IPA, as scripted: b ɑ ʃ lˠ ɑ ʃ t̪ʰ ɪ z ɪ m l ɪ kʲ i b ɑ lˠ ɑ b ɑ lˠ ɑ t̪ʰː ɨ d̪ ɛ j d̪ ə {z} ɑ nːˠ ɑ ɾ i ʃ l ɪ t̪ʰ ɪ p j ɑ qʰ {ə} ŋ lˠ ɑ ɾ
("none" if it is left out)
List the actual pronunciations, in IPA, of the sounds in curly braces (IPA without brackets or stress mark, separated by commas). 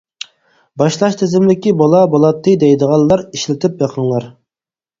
ʁ, ə